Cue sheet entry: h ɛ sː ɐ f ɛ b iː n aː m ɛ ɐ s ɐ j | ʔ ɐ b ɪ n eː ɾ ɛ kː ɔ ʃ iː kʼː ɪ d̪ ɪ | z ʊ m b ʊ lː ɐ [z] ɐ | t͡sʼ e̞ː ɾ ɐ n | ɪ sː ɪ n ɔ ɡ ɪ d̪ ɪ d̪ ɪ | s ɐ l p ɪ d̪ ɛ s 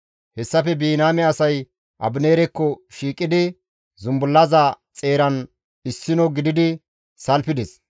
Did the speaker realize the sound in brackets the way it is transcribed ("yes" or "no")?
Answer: yes